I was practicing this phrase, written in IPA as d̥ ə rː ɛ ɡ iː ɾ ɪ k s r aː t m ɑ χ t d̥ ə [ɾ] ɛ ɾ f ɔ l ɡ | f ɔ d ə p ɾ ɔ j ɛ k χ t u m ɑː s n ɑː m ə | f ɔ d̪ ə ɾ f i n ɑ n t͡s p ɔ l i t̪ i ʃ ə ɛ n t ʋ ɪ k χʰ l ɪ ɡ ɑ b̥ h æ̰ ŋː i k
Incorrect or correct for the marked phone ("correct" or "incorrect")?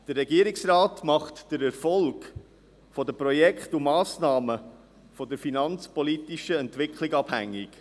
correct